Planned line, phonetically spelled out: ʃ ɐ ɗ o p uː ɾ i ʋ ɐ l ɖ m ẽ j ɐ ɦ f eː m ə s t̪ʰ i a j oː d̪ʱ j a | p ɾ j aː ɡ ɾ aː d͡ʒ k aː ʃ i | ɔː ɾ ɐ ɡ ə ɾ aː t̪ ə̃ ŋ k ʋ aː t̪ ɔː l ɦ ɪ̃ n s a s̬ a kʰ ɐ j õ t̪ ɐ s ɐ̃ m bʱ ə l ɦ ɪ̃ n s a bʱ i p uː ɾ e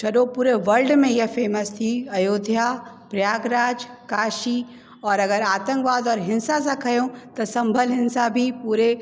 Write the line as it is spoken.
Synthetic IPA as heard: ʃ ɐ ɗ o p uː ɾ e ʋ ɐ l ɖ m ẽ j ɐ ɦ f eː m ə s t̪ʰ i ɐ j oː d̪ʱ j a | p ɾ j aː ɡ ɾ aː d͡ʒ k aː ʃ i | ɔː ɾ ɐ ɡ ə ɾ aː t̪ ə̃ ŋ k ʋ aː d̪ ɔː ɾ ɦ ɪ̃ n s a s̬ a kʰ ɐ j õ t̪ ɐ s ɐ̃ m bʱ ə l ɦ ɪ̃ n s a bʱ i p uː ɾ e